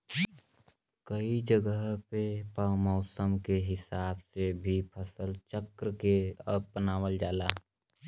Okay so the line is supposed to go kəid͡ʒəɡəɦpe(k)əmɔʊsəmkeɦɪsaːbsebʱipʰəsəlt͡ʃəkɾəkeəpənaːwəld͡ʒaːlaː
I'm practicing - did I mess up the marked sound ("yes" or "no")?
yes